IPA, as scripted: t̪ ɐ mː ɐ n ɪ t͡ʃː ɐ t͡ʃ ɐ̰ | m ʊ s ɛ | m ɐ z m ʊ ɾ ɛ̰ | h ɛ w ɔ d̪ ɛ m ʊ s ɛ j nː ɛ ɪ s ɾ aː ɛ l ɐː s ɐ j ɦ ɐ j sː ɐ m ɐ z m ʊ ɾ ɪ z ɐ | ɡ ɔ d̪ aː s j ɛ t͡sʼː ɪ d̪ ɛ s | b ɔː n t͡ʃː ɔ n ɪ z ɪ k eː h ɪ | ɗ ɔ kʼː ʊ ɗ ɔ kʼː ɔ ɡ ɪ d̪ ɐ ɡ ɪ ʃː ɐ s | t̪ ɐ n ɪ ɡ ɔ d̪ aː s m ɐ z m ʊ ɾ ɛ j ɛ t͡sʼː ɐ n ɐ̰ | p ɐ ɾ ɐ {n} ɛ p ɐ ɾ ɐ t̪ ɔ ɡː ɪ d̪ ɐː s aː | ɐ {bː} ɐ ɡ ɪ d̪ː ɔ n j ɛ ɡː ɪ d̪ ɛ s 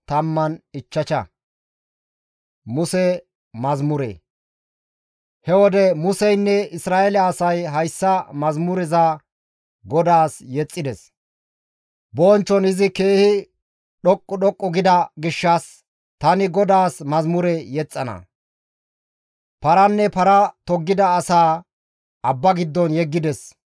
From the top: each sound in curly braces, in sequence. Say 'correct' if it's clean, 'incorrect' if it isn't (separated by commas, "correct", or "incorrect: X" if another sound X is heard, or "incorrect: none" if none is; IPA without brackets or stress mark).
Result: incorrect: nː, correct